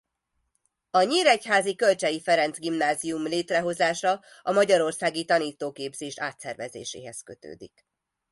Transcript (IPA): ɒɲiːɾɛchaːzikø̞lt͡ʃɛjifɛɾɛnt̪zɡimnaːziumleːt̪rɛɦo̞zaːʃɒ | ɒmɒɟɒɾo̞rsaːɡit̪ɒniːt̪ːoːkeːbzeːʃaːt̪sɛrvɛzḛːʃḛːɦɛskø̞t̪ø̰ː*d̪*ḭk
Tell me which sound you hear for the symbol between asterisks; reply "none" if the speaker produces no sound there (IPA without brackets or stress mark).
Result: d̪